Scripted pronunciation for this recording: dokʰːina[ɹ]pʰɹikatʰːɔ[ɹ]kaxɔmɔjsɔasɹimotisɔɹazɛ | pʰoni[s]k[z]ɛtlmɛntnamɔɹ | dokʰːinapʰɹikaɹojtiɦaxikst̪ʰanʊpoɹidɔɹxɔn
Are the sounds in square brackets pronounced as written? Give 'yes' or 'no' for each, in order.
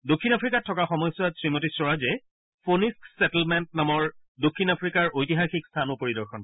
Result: no, no, yes, no

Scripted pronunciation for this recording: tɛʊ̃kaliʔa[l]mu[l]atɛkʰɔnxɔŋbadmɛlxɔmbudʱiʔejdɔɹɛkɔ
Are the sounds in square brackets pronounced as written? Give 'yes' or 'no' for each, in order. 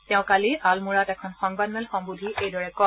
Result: yes, no

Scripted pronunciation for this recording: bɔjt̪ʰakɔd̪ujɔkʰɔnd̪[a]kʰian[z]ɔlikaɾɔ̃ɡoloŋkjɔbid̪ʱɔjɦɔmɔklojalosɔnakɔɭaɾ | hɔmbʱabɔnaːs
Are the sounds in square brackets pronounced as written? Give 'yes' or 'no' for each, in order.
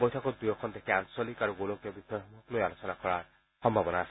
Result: no, no

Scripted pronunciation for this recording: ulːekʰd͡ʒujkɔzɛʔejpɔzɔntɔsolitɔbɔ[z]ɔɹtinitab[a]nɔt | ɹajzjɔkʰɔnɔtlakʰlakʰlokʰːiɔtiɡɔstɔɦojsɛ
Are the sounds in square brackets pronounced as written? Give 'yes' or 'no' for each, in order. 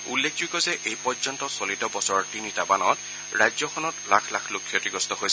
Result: no, yes

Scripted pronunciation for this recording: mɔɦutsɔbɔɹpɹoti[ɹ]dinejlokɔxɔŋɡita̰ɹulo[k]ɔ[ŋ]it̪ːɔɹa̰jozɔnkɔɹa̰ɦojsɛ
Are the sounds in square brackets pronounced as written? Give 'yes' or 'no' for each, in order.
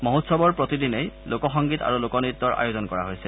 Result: no, yes, no

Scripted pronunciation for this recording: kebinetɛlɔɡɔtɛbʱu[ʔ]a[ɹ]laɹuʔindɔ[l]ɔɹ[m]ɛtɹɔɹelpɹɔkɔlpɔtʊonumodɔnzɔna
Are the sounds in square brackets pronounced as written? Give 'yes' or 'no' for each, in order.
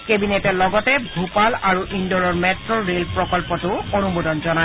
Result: no, no, no, yes

